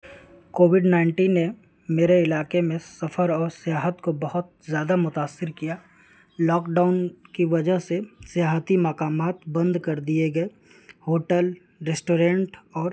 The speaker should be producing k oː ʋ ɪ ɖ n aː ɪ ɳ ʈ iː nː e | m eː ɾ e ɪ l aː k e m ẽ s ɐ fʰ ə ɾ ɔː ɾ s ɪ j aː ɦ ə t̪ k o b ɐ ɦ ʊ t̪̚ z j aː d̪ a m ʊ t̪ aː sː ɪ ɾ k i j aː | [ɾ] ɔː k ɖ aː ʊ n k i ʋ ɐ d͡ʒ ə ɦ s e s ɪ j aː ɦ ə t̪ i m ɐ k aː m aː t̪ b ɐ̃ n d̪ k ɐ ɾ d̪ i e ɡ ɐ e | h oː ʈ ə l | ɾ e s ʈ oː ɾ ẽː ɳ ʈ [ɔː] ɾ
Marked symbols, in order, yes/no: no, yes

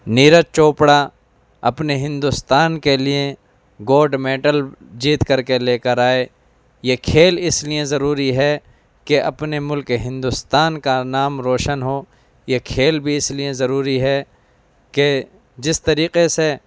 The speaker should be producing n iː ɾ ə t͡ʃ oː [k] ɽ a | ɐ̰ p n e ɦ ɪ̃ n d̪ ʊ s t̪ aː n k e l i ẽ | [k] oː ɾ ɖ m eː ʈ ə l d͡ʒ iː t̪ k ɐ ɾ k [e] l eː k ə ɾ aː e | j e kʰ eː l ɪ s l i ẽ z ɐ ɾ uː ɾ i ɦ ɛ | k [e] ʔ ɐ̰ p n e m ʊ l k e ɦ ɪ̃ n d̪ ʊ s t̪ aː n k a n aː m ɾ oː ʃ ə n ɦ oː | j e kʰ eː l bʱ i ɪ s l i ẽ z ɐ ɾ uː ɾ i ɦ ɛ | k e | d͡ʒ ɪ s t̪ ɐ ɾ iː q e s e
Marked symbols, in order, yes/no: no, no, yes, yes

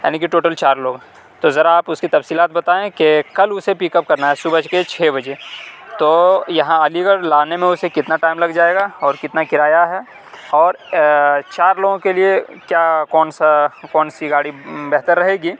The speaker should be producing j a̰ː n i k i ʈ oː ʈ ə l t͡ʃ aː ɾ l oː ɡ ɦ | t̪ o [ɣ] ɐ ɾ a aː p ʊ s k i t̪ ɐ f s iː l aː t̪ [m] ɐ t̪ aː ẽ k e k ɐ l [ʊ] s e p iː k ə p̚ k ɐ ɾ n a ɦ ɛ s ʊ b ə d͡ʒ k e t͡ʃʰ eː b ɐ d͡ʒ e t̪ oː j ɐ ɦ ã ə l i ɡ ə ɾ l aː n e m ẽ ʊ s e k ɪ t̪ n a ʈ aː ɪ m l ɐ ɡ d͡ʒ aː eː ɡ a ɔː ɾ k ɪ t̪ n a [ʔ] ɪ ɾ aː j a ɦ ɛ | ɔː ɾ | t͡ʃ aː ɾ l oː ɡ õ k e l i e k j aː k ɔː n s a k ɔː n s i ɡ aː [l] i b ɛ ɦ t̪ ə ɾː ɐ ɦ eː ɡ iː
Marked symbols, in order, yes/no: no, no, yes, no, no

